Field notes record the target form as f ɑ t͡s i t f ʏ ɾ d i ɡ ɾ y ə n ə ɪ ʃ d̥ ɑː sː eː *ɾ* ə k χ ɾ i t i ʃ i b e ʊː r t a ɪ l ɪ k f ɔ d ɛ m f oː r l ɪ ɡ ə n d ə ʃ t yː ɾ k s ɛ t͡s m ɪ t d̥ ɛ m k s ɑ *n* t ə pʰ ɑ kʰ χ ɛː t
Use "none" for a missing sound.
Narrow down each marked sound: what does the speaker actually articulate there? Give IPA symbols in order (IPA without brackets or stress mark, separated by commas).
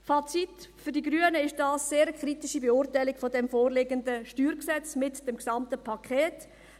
ɾ, m